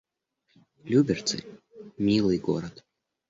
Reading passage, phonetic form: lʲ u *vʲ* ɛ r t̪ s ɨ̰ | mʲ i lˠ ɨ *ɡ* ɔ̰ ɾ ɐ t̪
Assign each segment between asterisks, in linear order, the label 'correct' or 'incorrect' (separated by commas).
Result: incorrect, correct